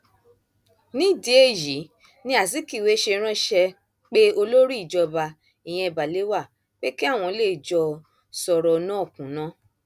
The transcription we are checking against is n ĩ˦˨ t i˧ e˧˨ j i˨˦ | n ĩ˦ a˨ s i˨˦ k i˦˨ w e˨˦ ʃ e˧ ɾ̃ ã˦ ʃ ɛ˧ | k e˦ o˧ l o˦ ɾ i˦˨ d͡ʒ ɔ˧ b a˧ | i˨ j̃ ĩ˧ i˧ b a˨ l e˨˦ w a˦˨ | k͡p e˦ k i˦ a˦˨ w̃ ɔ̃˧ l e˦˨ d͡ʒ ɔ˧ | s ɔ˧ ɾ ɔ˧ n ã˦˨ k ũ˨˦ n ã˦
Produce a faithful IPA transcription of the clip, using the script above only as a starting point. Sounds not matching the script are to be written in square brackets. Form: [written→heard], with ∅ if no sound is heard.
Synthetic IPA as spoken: n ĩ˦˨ [t→d] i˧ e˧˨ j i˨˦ | n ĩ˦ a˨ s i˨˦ k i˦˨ w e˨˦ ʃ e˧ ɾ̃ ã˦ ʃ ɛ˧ | [k→k͡p] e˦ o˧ l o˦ ɾ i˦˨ d͡ʒ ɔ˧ b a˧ | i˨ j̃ [ĩ˧→ɛ̃˧] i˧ b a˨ l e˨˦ w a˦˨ | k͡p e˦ k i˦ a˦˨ w̃ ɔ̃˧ l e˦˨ d͡ʒ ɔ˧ | s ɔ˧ ɾ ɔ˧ n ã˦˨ k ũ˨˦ n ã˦